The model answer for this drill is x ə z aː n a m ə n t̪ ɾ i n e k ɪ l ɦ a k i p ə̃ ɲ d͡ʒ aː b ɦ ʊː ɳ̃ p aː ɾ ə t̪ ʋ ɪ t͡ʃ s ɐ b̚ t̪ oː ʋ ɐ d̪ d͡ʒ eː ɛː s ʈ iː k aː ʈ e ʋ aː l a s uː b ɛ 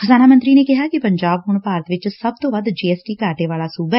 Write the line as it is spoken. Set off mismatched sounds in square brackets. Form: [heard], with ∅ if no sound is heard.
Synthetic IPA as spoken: x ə z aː n a m ə n t̪ ɾ i n e k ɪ [∅] ɦ a k i p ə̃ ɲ d͡ʒ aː b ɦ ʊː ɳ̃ p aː ɾ ə t̪ ʋ ɪ t͡ʃ s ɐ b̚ t̪ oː ʋ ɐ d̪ d͡ʒ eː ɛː s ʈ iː k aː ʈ e ʋ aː l a s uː b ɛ